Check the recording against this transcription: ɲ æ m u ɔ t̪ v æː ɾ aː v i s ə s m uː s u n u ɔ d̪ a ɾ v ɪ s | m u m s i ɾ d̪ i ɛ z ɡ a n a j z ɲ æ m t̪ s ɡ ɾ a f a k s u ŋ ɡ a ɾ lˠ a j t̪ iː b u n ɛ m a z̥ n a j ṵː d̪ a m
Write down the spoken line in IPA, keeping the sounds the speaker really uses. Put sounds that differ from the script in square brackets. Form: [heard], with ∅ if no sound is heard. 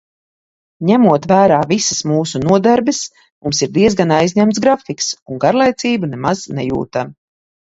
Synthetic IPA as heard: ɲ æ m u ɔ t̪ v æː ɾ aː v i s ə s m uː s u n u ɔ d̪ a ɾ [b] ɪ s | m u m s i ɾ d̪ i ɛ z ɡ a n a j z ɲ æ m t̪ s ɡ ɾ a f [i] k s u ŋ ɡ a ɾ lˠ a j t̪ iː b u n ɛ m a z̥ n [ɛ] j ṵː [t̪] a m